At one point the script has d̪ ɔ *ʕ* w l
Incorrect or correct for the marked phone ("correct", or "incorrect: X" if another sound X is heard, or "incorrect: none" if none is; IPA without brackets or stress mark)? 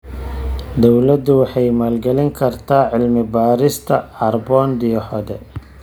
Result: incorrect: none